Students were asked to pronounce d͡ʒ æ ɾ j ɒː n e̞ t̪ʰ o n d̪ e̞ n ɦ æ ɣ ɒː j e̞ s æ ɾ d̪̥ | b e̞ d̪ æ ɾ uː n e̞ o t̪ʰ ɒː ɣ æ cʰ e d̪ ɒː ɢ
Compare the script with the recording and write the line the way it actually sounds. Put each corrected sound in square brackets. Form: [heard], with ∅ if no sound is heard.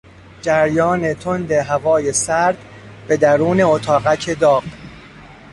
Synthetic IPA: d͡ʒ æ ɾ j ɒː n e̞ t̪ʰ o n d̪ e̞ [∅] ɦ æ [v] ɒː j e̞ s æ ɾ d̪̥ | b e̞ d̪ æ ɾ uː n e̞ o t̪ʰ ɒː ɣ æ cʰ e d̪ ɒː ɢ